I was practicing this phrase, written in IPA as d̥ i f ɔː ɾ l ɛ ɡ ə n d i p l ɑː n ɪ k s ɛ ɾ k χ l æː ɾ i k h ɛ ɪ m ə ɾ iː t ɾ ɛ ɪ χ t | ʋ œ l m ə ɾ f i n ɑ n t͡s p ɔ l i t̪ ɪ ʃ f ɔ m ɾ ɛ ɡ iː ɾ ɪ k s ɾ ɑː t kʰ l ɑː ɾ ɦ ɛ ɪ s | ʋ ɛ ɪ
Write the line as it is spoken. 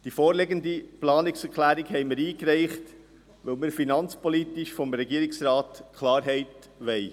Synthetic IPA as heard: d̥ i f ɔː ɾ l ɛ ɡ ə n d i p l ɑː n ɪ k s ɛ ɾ k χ l æː ɾ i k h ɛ ɪ m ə ɾ iː k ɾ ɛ ɪ χ t | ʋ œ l m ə ɾ f i n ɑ n t͡s p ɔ l i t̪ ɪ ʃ f ɔ m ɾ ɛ ɡ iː ɾ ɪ k s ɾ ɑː t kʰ l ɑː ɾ ɦ ɛ ɪ t | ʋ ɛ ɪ